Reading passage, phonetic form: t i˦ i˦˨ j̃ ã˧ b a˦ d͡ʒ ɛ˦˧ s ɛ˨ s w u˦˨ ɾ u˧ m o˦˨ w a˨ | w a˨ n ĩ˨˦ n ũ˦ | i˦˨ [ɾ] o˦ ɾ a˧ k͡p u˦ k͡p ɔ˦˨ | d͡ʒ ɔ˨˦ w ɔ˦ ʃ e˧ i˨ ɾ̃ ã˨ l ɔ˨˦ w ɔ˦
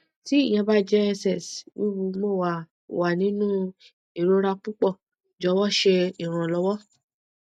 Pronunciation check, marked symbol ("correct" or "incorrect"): correct